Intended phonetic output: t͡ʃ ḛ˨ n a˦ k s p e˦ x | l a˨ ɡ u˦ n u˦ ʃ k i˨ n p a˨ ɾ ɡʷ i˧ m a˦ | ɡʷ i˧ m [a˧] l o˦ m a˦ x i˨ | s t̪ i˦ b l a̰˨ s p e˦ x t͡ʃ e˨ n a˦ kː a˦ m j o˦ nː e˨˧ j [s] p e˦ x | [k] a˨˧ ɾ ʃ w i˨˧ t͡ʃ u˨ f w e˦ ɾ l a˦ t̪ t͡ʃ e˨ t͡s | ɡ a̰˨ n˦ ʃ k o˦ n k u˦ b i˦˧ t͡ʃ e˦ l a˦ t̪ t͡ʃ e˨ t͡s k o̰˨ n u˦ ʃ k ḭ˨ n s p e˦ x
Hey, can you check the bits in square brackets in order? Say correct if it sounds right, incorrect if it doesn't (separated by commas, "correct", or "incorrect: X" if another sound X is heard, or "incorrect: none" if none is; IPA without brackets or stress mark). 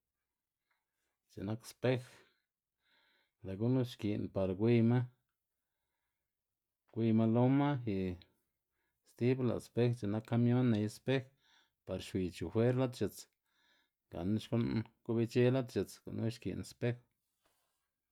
correct, correct, incorrect: p